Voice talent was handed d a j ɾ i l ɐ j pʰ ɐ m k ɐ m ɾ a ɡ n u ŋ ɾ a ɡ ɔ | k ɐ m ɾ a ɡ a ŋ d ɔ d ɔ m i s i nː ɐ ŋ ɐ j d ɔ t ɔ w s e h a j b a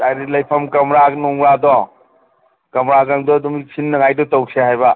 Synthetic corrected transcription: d a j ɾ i l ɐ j pʰ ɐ m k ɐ m ɾ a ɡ n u ŋ ɾ a d ɔ | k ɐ m ɾ a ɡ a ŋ d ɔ d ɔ m i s i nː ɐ ŋ a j d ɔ t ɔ w s e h a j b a